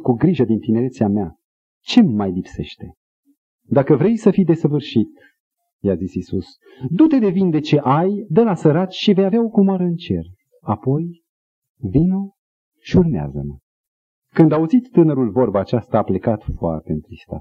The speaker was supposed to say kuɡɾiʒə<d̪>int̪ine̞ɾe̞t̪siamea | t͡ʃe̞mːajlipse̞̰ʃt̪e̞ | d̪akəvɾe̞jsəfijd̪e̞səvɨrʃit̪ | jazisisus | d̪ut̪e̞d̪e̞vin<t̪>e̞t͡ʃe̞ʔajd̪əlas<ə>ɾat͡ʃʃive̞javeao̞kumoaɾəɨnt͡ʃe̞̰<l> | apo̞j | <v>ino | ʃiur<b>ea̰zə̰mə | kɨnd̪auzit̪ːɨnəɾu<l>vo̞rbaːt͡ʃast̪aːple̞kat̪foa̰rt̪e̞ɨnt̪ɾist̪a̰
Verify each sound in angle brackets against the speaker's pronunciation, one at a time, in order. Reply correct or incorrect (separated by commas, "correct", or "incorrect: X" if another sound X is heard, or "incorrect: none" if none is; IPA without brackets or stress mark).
correct, incorrect: d̪, correct, incorrect: r, correct, incorrect: m, correct